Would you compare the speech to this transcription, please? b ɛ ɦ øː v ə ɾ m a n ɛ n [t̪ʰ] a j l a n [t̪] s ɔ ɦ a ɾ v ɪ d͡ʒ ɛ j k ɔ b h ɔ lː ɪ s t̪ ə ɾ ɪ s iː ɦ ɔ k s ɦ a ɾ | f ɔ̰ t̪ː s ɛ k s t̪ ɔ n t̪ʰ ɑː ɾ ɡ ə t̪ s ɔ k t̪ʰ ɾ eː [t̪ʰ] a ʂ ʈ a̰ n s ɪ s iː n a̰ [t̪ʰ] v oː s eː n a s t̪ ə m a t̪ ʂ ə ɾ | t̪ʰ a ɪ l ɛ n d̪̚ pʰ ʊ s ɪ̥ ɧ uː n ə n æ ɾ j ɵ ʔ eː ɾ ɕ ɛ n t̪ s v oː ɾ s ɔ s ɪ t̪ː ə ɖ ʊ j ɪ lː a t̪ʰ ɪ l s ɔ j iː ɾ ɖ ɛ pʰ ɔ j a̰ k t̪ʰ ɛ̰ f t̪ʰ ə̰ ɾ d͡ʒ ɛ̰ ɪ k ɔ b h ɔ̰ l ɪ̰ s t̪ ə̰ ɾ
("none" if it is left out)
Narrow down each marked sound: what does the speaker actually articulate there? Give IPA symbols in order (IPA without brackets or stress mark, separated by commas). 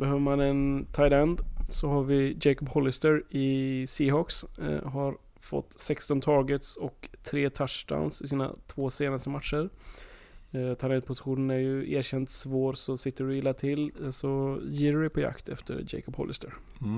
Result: t̪ʰ, d̪, t̪ʰ, t̪ʰ